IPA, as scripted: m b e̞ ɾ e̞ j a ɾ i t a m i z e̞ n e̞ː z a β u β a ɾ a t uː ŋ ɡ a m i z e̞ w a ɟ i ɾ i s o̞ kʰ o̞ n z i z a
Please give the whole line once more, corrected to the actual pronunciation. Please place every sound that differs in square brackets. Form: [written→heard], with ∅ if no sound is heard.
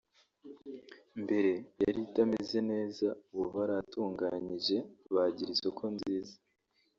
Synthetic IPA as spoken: m b e̞ ɾ e̞ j a ɾ i t a m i z e̞ n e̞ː z a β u β a ɾ a t uː ŋ ɡ a [m→ɲ] i [z→ʒ] e̞ [w→β] a ɟ i ɾ i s o̞ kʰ o̞ n z [i→iː] z a